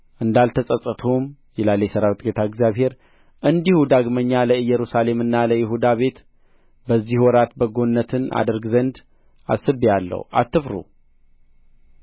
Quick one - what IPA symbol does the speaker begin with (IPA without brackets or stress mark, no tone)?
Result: ʔ